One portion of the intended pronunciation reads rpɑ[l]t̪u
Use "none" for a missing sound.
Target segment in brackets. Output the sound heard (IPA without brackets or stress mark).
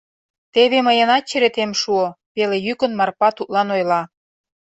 none